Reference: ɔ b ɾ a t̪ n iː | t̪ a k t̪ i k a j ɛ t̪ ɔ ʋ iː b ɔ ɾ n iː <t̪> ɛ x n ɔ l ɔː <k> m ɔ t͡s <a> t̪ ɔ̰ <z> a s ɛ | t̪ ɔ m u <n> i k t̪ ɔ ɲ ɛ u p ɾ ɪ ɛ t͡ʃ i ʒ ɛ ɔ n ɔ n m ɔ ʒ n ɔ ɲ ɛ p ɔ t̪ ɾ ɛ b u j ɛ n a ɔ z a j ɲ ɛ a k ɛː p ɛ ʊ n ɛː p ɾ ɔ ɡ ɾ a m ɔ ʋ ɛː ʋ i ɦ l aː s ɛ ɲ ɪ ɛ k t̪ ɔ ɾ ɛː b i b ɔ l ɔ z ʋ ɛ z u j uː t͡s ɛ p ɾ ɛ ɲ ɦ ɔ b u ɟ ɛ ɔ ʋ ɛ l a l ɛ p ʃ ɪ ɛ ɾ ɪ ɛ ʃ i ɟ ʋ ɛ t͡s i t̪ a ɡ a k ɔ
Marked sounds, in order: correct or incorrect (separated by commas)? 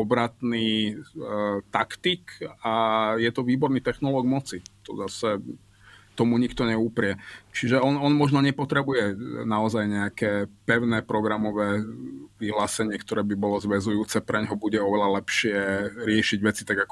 correct, incorrect, incorrect, correct, incorrect